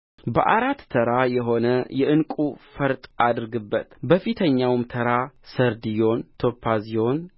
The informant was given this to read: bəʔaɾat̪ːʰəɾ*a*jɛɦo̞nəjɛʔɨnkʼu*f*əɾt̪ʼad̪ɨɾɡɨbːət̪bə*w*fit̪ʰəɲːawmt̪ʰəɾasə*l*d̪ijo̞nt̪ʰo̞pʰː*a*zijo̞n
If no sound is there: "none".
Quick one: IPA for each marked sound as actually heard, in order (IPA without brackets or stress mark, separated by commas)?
a, f, none, ɾ, a